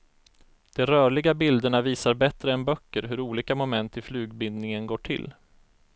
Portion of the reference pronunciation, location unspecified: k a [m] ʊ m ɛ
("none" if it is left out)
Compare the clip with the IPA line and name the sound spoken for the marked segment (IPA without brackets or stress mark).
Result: m